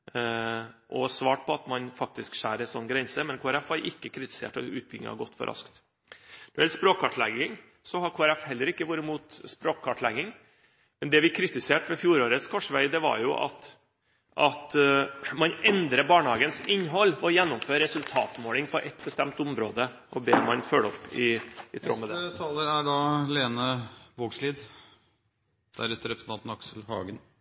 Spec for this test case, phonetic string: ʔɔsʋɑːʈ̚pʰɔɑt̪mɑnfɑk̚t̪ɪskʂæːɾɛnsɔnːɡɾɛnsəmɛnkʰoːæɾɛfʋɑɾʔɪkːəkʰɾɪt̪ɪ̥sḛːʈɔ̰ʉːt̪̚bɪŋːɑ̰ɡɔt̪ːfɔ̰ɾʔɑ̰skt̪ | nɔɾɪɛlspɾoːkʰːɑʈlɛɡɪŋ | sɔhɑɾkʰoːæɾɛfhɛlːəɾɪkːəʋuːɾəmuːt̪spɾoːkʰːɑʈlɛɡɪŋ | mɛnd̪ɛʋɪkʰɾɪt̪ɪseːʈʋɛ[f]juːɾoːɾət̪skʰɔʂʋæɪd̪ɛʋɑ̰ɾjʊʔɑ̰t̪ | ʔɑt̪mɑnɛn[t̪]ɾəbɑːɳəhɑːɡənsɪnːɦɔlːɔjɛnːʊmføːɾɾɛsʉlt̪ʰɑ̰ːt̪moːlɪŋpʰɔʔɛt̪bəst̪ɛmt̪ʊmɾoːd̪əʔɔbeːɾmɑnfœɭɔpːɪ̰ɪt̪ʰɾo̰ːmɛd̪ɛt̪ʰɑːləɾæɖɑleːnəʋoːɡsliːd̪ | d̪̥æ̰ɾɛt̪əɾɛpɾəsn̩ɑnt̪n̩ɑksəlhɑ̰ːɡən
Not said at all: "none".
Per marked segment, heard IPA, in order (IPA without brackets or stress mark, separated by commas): f, d̪